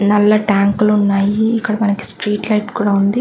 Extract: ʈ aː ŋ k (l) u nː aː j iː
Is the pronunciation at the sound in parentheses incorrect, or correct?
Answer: correct